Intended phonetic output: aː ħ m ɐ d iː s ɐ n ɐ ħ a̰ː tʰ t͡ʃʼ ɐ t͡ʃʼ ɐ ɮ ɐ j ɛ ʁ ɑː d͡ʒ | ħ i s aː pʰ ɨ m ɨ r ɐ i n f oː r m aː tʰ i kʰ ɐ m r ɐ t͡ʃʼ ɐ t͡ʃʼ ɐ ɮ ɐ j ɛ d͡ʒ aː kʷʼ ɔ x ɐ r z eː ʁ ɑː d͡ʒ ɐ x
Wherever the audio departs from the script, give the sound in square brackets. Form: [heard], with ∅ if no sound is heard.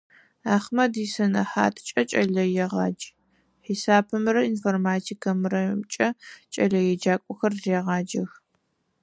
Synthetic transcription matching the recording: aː [χ] m ɐ d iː s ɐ n ɐ ħ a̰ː tʰ t͡ʃʼ ɐ t͡ʃʼ ɐ ɮ ɐ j ɛ ʁ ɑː d͡ʒ | ħ i s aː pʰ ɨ m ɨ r ɐ i n f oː r m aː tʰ i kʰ ɐ m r ɐ t͡ʃʼ ɐ t͡ʃʼ ɐ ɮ ɐ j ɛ d͡ʒ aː kʷʼ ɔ x ɐ r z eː ʁ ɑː d͡ʒ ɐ x